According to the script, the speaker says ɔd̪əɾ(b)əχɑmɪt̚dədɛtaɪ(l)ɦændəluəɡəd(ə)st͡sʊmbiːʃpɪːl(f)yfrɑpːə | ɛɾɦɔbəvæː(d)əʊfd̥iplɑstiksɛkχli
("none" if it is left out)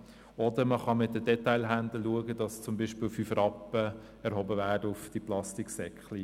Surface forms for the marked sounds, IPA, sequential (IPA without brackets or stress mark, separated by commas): m, l, ɑ, f, d